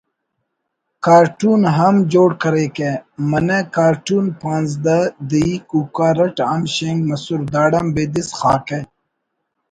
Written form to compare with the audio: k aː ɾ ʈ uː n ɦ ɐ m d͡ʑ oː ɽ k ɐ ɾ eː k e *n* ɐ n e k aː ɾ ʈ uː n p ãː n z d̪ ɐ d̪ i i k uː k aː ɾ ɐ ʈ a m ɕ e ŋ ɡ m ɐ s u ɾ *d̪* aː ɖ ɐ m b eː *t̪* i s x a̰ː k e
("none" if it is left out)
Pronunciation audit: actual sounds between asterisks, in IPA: m, d̪, d̪

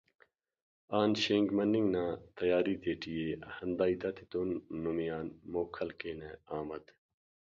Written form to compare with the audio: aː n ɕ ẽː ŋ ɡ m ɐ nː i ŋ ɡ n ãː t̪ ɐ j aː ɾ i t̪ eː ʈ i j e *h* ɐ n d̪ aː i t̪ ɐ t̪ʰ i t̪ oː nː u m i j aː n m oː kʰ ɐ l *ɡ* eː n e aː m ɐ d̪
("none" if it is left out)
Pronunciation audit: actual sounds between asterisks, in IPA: h, k

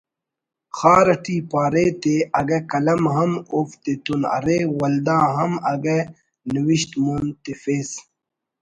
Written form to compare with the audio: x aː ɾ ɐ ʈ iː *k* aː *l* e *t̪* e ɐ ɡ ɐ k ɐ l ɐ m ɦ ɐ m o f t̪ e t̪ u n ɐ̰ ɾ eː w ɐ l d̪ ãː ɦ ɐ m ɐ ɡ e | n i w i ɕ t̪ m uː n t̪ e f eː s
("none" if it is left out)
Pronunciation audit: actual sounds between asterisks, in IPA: p, ɾ, t̪

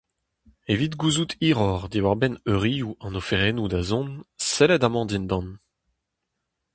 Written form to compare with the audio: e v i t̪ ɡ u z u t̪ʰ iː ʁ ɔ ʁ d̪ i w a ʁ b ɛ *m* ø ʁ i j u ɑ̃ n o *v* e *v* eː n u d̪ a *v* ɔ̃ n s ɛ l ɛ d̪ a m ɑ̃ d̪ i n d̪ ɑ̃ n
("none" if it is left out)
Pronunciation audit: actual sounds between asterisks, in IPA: n, f, ʁ, z

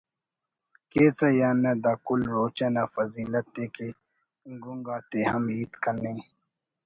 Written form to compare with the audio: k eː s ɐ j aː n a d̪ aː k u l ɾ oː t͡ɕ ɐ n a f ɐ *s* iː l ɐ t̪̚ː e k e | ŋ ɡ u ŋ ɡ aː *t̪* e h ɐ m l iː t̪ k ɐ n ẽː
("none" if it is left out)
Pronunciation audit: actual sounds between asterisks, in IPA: z, t̪

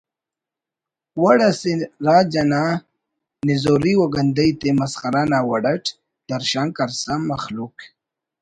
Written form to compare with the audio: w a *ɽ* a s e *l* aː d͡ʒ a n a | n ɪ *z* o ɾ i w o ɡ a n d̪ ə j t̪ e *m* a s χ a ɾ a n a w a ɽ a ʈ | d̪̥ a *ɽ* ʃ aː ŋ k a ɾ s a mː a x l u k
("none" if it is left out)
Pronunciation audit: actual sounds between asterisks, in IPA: ɽ, ɾ, z, m, ɾ

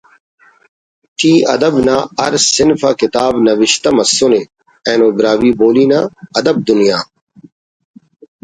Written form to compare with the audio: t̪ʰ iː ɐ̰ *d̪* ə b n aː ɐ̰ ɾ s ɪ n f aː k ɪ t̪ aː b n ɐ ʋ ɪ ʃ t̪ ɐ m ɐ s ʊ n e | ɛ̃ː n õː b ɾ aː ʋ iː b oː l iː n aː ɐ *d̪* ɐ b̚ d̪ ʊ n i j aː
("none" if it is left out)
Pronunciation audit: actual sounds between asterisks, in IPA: d̪, d̪

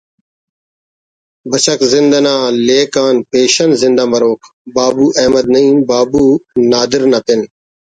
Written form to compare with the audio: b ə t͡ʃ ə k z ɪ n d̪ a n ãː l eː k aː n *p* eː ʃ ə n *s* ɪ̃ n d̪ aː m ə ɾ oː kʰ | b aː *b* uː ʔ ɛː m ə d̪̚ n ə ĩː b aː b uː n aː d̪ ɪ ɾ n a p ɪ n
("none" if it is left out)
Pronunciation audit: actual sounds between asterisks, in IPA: p, z, b

